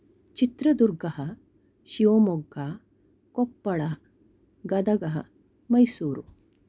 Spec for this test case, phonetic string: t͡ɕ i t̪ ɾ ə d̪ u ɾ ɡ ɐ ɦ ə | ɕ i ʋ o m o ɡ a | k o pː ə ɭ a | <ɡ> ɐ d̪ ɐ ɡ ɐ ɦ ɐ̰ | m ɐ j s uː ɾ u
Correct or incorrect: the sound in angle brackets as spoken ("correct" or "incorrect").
correct